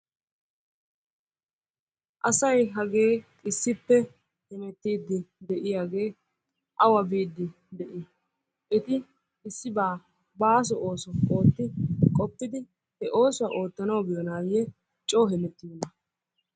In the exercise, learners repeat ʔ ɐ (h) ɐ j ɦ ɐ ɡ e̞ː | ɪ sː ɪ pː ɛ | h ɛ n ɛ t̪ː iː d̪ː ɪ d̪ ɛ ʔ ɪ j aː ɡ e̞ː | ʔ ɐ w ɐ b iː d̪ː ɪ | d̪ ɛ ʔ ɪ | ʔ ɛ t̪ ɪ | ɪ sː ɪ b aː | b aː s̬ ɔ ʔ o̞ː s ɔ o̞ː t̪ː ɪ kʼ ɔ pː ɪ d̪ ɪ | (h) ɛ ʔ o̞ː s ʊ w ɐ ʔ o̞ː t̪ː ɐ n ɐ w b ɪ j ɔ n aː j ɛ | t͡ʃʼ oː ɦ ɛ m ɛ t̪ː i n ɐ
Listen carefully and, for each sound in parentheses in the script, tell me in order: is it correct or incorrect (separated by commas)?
incorrect, correct